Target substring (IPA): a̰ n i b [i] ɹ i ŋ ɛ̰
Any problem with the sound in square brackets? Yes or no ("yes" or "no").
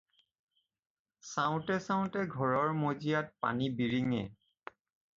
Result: no